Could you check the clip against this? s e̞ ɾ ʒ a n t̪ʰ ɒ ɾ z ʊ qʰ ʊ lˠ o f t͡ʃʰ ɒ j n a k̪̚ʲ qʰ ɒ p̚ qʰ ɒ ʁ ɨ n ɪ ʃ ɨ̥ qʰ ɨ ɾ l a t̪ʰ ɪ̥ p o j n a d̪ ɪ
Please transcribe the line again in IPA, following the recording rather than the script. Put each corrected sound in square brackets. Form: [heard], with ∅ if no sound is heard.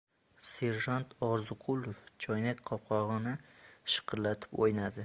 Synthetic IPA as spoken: s e̞ ɾ ʒ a n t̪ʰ ɒ ɾ z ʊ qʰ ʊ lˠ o f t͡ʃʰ ɒ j n a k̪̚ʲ qʰ ɒ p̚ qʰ ɒ ʁ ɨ n ɪ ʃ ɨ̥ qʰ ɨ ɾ l a t̪ʰ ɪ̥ p o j n a d̪ ɪ